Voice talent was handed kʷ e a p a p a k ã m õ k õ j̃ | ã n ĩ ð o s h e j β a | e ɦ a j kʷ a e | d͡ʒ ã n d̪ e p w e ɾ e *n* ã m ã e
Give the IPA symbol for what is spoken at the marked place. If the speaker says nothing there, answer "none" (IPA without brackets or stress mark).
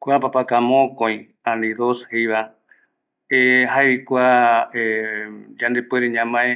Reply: ɲ